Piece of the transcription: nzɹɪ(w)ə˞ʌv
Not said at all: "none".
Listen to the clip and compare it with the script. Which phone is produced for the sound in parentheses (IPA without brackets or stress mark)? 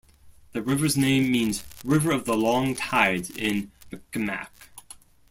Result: v